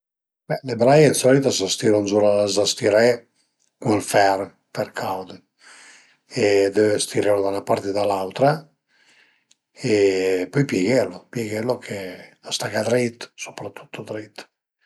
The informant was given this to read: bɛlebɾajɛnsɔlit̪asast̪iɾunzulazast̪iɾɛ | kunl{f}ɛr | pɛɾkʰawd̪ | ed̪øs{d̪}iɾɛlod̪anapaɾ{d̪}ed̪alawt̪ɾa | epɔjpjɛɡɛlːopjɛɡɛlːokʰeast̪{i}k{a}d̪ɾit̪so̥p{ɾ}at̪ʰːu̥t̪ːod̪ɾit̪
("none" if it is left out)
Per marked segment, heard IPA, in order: f, t̪, t̪, a, a, ɾ

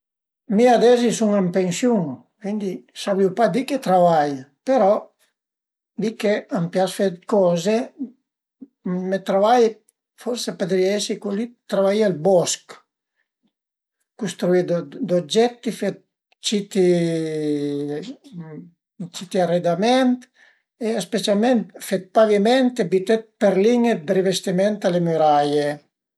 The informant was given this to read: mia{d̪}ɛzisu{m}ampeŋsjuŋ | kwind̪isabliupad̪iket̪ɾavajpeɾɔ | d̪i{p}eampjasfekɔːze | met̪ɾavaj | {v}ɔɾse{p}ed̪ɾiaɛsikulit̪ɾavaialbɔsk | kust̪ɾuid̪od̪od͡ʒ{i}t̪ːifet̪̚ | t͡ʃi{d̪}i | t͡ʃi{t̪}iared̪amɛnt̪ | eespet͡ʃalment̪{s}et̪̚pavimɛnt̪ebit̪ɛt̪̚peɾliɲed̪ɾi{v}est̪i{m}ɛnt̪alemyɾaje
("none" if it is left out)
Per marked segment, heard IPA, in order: d̪, ŋ, k, f, p, ɛ, t̪, t̪, f, v, m

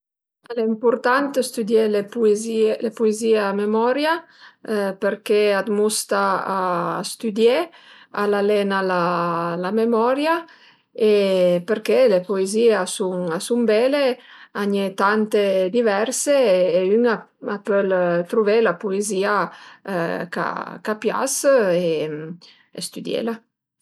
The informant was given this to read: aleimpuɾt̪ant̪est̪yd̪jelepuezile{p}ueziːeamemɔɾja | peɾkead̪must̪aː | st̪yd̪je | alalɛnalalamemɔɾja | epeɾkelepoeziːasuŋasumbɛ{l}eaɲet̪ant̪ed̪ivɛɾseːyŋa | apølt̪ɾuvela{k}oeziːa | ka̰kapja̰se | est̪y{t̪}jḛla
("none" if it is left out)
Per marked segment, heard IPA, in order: p, l, p, d̪

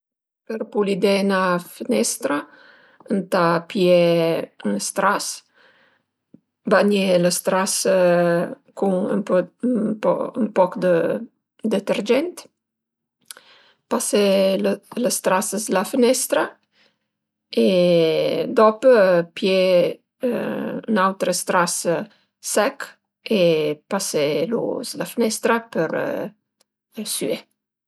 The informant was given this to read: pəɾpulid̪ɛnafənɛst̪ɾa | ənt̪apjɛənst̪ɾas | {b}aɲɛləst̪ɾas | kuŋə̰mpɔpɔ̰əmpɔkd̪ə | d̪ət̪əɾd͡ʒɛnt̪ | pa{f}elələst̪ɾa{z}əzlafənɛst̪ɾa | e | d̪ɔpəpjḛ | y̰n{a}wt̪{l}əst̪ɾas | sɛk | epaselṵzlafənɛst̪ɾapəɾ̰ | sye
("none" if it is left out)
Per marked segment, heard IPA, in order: b, s, s, a, ɾ

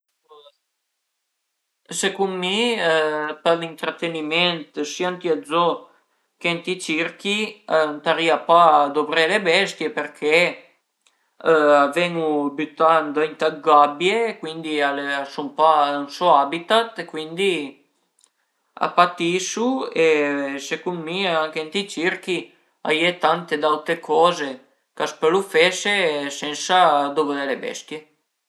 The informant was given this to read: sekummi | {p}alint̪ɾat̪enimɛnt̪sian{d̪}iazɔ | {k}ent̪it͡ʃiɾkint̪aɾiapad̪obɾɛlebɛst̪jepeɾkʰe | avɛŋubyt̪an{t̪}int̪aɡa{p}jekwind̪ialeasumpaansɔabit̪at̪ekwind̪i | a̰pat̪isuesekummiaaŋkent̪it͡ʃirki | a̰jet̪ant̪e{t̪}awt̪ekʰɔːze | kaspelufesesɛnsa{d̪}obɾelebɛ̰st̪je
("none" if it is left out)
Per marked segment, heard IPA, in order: p, t̪, k, d̪, b, d̪, d̪

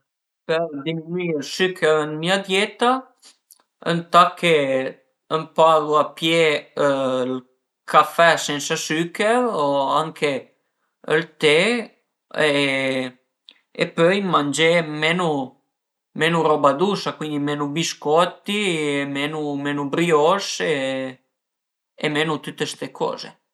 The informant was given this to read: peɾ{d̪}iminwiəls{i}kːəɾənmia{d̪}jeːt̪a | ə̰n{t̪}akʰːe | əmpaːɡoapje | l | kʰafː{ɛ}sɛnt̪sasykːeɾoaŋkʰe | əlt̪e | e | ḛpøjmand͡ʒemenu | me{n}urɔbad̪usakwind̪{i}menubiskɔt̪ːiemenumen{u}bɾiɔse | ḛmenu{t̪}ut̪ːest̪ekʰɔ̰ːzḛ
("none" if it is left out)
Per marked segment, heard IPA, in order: d̪, y, d̪, t̪, ɛ, n, i, u, t̪

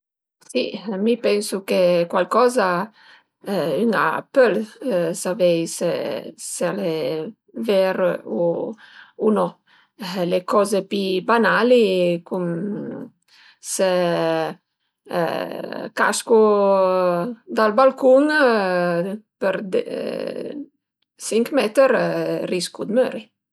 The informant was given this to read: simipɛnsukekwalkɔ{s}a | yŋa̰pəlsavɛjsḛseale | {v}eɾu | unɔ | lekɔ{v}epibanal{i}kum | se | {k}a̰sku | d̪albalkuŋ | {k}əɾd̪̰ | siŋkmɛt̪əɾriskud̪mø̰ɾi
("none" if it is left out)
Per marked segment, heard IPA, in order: z, v, z, i, k, p

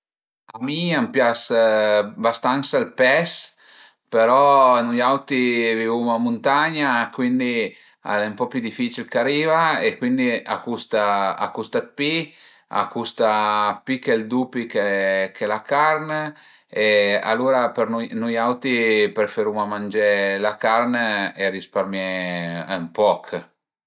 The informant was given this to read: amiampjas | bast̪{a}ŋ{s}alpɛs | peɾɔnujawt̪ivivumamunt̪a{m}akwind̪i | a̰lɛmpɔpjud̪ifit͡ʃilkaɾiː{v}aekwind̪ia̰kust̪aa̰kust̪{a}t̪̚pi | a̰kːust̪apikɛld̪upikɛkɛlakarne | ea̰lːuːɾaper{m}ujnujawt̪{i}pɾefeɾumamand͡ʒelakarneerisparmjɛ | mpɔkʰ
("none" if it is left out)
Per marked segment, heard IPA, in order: a, s, ɲ, v, a, n, i

